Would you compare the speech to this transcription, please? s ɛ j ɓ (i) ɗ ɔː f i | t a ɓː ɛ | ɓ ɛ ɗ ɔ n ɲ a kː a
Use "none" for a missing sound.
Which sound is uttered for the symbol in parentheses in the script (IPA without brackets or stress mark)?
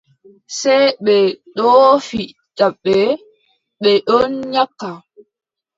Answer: ɛ